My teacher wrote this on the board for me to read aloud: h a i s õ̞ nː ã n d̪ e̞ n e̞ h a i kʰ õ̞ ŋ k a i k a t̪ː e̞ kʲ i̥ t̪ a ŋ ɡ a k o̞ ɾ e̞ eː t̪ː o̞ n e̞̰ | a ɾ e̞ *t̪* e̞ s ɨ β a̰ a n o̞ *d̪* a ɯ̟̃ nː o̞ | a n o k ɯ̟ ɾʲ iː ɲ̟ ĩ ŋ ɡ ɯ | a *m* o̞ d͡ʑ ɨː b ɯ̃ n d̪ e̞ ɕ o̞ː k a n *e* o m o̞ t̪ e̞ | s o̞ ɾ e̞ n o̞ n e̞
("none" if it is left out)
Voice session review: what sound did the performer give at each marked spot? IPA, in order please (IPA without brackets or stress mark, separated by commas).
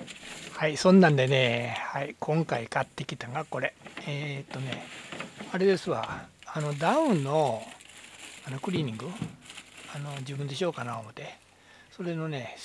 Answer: d̪, d̪, n, a